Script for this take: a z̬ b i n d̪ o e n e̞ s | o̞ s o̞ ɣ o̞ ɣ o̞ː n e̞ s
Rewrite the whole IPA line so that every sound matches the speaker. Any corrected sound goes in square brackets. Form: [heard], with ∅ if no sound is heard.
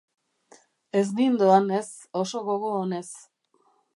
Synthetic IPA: [e] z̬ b i n d̪ o [a] n e̞ s | o̞ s o̞ ɣ o̞ ɣ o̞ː n e̞ s

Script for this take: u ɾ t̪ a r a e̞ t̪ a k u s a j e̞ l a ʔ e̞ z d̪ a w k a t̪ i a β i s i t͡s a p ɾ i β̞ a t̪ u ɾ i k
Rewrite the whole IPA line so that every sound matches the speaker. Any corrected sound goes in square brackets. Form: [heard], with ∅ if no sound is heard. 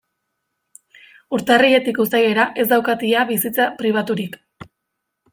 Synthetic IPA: u ɾ t̪ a r [i] e̞ t̪ [i] k u s a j e̞ [ɾ] a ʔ e̞ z d̪ a w k a t̪ i a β i s i t͡s a p ɾ i β̞ a t̪ u ɾ i k

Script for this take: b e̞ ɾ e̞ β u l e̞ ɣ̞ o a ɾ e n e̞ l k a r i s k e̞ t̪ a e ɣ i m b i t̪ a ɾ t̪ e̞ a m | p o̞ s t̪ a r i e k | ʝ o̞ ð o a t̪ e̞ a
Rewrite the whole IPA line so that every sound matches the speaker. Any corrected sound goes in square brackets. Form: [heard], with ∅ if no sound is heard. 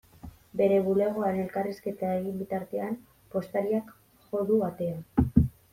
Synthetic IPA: b e̞ ɾ e̞ β u l e̞ ɣ̞ o a ɾ e n e̞ l k a r i s k e̞ t̪ a e ɣ i m b i t̪ a ɾ t̪ e̞ a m | p o̞ s t̪ a [ɾ] i [a] k | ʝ o̞ ð [u] a t̪ e̞ a

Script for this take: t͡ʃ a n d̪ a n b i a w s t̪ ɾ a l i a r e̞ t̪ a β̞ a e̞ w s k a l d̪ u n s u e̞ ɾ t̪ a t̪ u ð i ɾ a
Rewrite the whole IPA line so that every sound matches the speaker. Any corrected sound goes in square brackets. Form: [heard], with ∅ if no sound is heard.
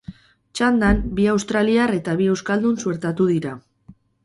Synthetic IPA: t͡ʃ a n d̪ a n b i a w s t̪ ɾ a l i a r e̞ t̪ a β̞ [i] e̞ w s k a l d̪ u n s u e̞ ɾ t̪ a t̪ u ð i ɾ a

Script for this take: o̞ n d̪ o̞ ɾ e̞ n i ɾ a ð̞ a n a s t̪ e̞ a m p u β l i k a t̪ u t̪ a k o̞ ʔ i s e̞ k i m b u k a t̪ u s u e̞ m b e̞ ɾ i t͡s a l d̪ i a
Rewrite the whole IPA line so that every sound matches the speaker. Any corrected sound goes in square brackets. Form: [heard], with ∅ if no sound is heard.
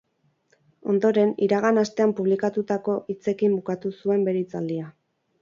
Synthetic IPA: o̞ n d̪ o̞ ɾ e̞ n i ɾ a [ɣ̞] a n a s t̪ e̞ a m p u β l i k a t̪ u t̪ a k o̞ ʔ i [t͡s] e̞ k i m b u k a t̪ u s u e̞ m b e̞ ɾ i t͡s a l d̪ i a

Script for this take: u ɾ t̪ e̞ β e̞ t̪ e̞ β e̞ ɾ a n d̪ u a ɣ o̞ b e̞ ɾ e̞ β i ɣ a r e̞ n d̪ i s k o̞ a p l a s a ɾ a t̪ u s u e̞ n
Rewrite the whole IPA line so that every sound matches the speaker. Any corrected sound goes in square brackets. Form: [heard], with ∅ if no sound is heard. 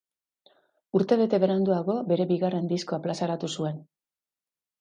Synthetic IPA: u ɾ t̪ e̞ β e̞ t̪ e̞ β e̞ ɾ a n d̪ u a ɣ o̞ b e̞ ɾ e̞ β i ɣ a r e̞ n d̪ i s k o̞ a p l a s a ɾ a t̪ u s u e̞ n

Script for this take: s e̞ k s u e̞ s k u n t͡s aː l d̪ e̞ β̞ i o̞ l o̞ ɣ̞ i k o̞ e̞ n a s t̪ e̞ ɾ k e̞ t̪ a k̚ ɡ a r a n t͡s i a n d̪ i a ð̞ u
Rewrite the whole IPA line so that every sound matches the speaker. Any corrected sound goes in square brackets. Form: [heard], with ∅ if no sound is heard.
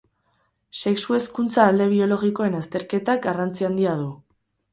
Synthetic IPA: s e̞ k s u e̞ s k u n t͡s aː l d̪ e̞ β̞ i o̞ l o̞ ɣ̞ i k o̞ e̞ n a s t̪ e̞ ɾ k e̞ t̪ a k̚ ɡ a r a n t͡s i a n d̪ i a ð̞ u

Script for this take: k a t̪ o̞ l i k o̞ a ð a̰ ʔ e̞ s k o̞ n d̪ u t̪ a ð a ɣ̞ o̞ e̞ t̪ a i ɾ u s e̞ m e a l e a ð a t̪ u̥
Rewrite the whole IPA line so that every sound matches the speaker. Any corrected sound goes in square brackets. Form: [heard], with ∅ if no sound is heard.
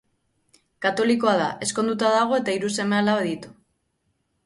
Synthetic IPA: k a t̪ o̞ l i k o̞ a ð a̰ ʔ e̞ s k o̞ n d̪ u t̪ a ð a ɣ̞ o̞ e̞ t̪ a i ɾ u s e̞ m e a l [a] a ð [i] t̪ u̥

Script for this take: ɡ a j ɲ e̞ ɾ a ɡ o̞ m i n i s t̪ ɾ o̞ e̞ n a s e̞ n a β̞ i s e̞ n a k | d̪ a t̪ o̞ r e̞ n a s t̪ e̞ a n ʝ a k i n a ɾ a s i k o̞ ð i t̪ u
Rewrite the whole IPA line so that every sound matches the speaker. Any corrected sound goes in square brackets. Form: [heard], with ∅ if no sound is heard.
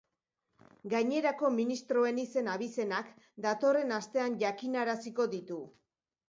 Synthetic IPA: ɡ a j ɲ e̞ ɾ a [k] o̞ m i n i s t̪ ɾ o̞ e̞ n [i] s e̞ n a β̞ i s e̞ n a k | d̪ a t̪ o̞ r e̞ n a s t̪ e̞ a n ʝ a k i n a ɾ a s i k o̞ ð i t̪ u

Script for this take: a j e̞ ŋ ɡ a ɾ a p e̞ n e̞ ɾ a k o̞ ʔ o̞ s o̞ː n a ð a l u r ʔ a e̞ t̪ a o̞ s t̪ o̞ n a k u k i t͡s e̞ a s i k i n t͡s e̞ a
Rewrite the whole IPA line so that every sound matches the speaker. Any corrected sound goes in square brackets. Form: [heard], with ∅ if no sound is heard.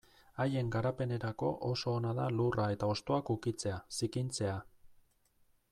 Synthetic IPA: a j e̞ ŋ ɡ a ɾ a p e̞ n e̞ ɾ a k o̞ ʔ o̞ s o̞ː n a ð a l u r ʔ a e̞ t̪ a o̞ s t̪ o̞ [∅] a k u k i t͡s e̞ a s i k i n t͡s e̞ a

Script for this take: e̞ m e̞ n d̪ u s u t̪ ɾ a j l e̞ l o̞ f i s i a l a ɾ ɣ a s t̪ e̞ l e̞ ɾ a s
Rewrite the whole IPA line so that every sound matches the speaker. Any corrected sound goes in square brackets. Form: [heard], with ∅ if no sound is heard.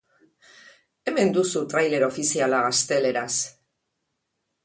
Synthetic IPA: e̞ m e̞ n d̪ u s u t̪ ɾ a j l e̞ [ɾ] o̞ f i s i a l a [∅] ɣ a s t̪ e̞ l e̞ ɾ a s

